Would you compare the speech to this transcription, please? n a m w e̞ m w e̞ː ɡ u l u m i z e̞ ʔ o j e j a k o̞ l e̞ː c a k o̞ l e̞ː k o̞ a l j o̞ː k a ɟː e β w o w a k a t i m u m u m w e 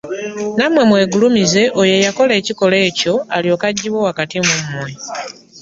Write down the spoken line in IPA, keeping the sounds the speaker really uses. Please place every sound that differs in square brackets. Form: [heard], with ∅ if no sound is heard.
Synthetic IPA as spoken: n a m w e̞ m w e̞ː ɡ u l u m i z e̞ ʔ o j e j a k o̞ l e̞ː c [i] k o̞ l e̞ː [c] o̞ a l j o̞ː k a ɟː [i] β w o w a k a t i m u m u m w e

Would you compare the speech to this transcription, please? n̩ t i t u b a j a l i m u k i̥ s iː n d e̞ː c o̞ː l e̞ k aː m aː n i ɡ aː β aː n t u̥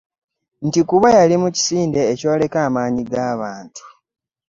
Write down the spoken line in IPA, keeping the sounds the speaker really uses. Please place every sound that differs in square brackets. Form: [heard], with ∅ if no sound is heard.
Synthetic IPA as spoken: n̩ t i [k] u [β] a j a l i m u [c] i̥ s iː n d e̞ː c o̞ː l e̞ k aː m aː [ɲ] i ɡ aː β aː n t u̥

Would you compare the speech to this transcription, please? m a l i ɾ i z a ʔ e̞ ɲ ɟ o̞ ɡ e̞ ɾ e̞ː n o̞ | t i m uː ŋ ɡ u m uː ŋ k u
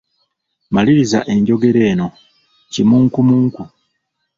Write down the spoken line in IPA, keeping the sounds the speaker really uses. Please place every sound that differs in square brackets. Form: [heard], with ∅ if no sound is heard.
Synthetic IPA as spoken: m a l i ɾ i z a ʔ e̞ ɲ ɟ o̞ ɡ e̞ ɾ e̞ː n o̞ | [c] i m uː ŋ [k] u m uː ŋ k u

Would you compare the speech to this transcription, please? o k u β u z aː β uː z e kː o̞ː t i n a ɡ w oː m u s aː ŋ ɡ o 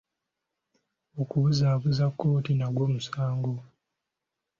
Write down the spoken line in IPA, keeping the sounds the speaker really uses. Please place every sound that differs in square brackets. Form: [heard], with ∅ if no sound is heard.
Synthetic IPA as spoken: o k u β u z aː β [u] z [a] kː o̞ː t i n a ɡ w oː m u s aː ŋ ɡ o

